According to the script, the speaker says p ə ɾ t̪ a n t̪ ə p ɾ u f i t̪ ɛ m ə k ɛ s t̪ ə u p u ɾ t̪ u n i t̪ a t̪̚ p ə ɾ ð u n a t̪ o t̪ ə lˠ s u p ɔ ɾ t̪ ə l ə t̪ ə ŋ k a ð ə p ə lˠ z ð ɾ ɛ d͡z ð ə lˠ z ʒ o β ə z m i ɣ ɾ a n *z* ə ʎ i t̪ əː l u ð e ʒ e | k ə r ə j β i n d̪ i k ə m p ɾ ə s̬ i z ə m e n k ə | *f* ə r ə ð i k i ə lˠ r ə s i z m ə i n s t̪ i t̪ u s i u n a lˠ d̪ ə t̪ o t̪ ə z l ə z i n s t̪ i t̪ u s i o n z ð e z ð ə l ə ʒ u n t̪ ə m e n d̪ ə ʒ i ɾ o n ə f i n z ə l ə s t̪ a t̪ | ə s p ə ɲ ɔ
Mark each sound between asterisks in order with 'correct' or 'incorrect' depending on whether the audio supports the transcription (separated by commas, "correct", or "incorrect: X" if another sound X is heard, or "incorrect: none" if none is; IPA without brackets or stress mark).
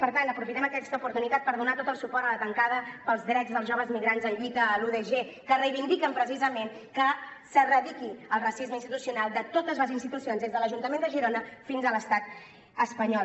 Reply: correct, incorrect: s